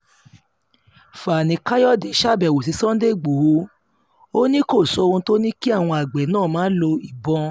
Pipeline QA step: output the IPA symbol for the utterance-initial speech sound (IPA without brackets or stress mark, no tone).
f